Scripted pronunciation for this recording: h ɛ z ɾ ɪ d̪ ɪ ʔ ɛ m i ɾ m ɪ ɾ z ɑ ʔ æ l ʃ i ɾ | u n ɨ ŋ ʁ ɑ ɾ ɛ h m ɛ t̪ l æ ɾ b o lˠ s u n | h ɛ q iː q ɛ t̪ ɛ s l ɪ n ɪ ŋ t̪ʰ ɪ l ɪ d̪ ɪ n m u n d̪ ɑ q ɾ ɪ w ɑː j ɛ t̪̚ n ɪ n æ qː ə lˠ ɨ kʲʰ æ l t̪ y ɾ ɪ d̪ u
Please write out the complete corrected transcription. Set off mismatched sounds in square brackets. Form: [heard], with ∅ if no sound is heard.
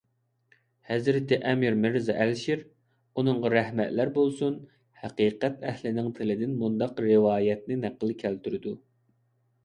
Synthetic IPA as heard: h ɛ z ɾ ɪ [t̪] ɪ ʔ ɛ m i ɾ m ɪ ɾ z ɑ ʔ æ l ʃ i ɾ | u n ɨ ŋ ʁ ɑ ɾ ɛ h m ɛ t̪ l æ ɾ b o lˠ s u n | h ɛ q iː q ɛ t̪ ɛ [h] l ɪ n ɪ ŋ t̪ʰ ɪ l ɪ d̪ ɪ n m u n d̪ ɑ q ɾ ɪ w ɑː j ɛ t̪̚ n ɪ n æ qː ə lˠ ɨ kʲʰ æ l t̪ y ɾ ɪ d̪ u